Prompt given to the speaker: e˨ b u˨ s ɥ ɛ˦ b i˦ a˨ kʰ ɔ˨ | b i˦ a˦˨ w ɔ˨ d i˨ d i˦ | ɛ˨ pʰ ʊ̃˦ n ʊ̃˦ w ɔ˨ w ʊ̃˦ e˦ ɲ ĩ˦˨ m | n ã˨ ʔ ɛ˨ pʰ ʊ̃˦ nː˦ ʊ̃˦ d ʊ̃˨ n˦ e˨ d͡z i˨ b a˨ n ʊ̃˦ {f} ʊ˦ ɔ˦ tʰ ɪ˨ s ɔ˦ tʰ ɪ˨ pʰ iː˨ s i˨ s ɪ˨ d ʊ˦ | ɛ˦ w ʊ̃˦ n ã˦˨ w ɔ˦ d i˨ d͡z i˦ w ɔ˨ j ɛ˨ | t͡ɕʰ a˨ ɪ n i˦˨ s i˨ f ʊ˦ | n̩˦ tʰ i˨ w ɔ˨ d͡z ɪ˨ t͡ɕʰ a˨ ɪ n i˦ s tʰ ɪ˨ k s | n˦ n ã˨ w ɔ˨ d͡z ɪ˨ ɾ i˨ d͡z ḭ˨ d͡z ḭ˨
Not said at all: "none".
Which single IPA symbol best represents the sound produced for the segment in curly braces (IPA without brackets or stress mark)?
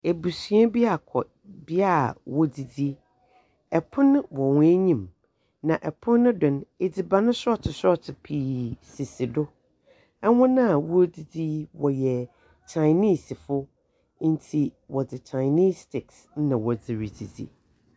s